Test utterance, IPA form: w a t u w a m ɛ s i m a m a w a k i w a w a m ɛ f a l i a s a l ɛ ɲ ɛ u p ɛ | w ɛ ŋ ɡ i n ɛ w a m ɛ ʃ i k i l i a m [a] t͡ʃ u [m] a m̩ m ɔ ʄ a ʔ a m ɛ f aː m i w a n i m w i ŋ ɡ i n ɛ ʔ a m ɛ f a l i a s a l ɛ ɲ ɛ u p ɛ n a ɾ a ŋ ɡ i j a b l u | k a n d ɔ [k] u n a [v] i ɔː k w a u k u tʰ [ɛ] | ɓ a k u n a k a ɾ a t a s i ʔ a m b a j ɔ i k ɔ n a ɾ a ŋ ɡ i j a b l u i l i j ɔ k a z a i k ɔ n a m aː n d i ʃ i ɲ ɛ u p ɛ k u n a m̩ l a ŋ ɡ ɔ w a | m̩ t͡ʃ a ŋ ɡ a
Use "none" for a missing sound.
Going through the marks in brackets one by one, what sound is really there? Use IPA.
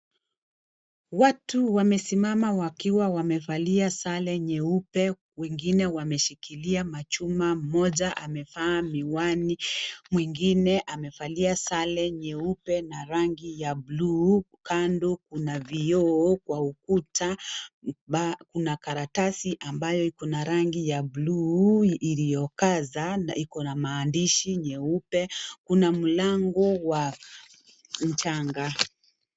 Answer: a, m, k, v, a

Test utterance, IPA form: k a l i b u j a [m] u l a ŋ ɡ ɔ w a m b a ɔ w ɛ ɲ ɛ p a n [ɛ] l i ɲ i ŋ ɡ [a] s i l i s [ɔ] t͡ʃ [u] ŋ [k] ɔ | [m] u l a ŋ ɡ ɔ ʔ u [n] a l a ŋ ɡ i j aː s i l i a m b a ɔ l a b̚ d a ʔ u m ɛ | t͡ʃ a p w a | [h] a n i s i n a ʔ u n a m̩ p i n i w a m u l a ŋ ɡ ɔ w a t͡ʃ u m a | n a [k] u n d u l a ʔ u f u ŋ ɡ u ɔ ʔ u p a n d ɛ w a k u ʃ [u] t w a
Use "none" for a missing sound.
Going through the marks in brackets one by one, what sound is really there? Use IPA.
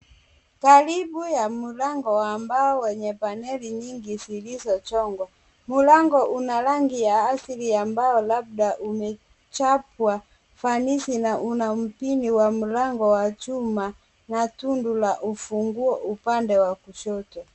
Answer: m, ɛ, i, ɔ, ɔ, ɡ, m, n, f, t, ɔ

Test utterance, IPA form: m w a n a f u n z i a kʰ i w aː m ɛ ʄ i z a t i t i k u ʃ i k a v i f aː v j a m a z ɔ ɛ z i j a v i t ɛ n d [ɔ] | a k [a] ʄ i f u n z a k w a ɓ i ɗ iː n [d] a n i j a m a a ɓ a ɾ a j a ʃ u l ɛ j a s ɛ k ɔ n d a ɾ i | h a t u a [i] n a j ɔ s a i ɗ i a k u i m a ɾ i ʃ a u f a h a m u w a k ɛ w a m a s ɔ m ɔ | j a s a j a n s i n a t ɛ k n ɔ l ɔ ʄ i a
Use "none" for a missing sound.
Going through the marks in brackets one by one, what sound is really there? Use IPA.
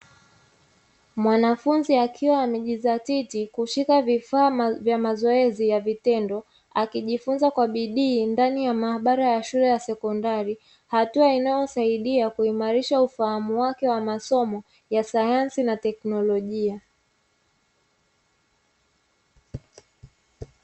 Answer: ɔ, i, d, i

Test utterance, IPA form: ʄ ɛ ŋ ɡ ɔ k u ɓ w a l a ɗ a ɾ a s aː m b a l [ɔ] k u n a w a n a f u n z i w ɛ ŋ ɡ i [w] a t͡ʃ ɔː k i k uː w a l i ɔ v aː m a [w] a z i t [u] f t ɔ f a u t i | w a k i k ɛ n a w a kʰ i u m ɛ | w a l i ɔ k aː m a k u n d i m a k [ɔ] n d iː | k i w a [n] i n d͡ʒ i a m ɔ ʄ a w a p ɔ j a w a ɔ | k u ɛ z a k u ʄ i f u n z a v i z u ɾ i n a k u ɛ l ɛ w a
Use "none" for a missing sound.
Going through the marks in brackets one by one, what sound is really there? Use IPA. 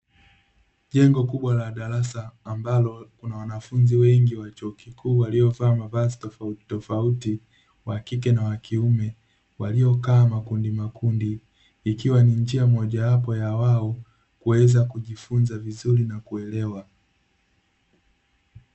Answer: ɔ, w, v, ɔ, u, n

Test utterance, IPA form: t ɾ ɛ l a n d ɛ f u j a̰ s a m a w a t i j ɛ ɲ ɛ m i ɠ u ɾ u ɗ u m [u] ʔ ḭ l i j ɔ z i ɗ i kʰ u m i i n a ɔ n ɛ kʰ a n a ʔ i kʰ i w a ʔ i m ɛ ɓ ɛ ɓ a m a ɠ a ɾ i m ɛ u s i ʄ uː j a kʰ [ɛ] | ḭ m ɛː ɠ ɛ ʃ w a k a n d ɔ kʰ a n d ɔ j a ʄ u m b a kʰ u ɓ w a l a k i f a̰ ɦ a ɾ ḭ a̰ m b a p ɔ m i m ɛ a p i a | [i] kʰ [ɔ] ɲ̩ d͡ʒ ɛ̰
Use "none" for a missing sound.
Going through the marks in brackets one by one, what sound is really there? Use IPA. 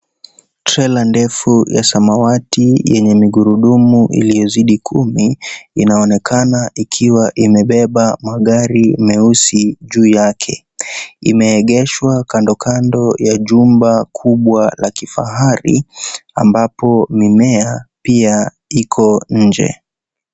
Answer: u, ɛ, i, ɔ

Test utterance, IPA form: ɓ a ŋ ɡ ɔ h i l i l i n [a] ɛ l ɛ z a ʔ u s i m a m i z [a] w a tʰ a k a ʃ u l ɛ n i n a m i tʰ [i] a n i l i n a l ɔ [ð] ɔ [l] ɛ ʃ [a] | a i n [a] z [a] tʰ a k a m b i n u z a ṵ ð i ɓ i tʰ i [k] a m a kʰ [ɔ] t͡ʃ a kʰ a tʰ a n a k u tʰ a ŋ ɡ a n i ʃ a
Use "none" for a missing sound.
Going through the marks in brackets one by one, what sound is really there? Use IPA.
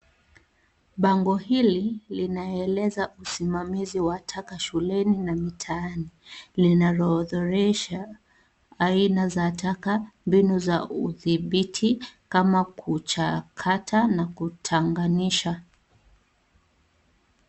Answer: a, i, a, ð, ɾ, a, a, a, k, u

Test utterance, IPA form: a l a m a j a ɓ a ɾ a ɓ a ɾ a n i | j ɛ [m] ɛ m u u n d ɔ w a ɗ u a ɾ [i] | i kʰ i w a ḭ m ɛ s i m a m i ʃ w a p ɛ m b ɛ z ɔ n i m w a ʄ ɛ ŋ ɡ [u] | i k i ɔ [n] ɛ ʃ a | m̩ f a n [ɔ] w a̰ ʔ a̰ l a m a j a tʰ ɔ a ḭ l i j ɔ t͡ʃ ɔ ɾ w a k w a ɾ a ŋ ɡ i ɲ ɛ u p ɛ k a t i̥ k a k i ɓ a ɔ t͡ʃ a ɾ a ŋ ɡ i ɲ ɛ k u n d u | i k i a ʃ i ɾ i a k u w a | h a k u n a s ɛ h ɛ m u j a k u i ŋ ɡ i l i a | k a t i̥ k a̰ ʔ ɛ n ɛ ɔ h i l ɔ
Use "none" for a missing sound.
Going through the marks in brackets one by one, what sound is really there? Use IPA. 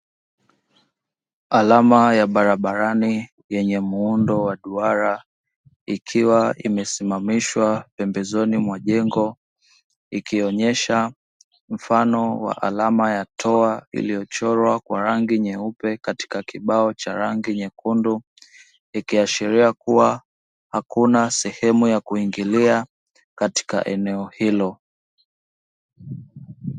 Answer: ɲ, a, ɔ, ɲ, ɔ

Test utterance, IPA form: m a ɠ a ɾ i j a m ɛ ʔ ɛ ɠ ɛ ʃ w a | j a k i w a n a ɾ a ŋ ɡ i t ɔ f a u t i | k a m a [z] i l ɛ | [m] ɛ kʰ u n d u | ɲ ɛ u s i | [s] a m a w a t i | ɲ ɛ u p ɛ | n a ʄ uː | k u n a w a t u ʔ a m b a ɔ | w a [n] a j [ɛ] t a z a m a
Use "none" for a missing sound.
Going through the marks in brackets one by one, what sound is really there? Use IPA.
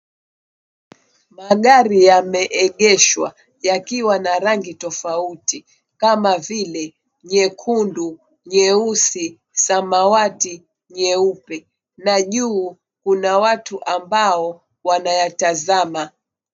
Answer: v, ɲ, s, n, a

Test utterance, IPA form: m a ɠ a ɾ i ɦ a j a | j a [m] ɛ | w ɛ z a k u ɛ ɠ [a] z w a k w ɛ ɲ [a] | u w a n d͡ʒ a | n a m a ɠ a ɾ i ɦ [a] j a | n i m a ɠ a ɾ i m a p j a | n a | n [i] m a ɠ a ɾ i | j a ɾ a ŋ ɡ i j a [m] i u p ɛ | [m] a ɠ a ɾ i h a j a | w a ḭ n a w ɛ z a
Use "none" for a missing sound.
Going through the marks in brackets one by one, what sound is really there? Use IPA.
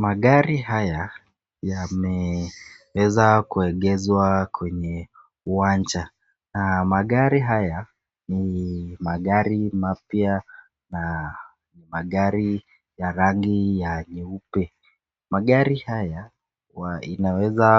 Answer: m, ɛ, ɛ, a, i, ɲ, m

